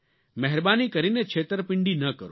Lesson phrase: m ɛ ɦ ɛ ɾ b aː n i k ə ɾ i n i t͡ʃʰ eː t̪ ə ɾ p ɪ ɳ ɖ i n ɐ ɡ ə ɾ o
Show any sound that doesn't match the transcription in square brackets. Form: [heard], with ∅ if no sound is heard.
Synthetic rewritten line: m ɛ ɦ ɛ ɾ b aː n i k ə ɾ i n [e] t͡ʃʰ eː t̪ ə ɾ p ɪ ɳ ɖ i n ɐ [k] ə ɾ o